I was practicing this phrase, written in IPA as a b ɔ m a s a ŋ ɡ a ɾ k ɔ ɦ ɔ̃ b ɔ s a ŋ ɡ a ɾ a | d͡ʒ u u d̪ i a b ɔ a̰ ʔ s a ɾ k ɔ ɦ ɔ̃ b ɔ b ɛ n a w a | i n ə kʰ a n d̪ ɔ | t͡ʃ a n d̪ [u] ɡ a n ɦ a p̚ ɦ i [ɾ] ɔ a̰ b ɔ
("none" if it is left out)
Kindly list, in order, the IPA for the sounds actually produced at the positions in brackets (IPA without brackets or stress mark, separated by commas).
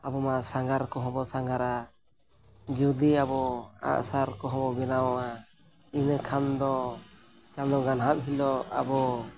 ɔ, l